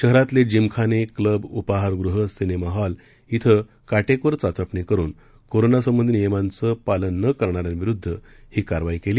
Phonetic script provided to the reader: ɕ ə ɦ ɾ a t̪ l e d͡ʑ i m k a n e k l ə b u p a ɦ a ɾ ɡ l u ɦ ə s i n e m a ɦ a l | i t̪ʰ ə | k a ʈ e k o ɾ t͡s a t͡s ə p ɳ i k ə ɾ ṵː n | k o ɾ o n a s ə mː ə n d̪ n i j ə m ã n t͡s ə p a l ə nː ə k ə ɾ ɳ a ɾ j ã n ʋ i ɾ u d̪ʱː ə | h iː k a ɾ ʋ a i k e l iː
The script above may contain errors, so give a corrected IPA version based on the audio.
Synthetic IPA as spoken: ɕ ə ɦ ɾ a t̪ l e d͡ʑ i m kʰ a n e k l ə b u p a ɦ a ɾ ɡ ɾ u ɦ ə s i n e m a ɦ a l | i t̪ʰ ə | k a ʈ e k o ɾ t͡s a t͡s ə p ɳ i k ə ɾ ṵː n | k o ɾ o n a s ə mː ə n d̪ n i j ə m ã n t͡s ə p a l ə nː ə k ə ɾ ɳ a ɾ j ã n ʋ i ɾ u d̪ʱː ə | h iː k a ɾ ʋ a i k e l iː